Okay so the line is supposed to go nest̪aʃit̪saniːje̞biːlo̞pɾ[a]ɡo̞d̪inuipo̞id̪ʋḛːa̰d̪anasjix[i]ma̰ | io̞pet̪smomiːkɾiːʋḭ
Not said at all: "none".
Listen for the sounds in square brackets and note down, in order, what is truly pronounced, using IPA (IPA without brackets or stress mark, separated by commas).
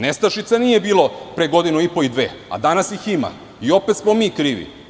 e, i